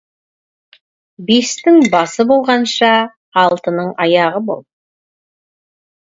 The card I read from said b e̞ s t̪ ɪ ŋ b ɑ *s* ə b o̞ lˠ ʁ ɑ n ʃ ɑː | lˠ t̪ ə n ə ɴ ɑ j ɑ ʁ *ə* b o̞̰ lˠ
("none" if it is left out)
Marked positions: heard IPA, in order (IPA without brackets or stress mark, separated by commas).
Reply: s, ə